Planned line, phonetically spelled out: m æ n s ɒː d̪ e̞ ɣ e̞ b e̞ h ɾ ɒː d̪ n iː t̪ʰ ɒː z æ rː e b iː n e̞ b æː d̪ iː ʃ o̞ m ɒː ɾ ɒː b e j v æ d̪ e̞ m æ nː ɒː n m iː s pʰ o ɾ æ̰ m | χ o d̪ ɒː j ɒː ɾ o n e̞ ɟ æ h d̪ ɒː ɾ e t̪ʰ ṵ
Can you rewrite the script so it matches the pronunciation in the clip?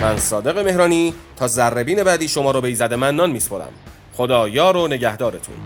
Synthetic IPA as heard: m æ n s ɒː d̪ e̞ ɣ e̞ m e̞ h ɾ ɒː n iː t̪ʰ ɒː z æ rː e b iː n e̞ b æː d̪ iː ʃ o̞ m ɒː ɾ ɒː b e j z æ d̪ e̞ m æ nː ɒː n m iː s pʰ o ɾ æ̰ m | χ o d̪ ɒː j ɒː ɾ o n e̞ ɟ æ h d̪ ɒː ɾ e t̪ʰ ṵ